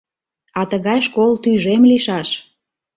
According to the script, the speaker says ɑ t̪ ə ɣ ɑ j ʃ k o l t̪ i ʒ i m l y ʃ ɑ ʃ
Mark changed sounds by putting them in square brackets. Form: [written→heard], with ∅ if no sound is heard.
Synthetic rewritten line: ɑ t̪ ə ɣ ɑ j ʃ k o l t̪ [i→y] ʒ [i→e] m l [y→i] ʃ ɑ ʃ